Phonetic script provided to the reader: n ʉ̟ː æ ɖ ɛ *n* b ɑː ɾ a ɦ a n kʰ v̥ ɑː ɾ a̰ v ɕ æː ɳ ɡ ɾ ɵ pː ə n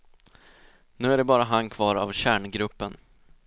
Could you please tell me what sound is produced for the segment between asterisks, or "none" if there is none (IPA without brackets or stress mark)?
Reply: none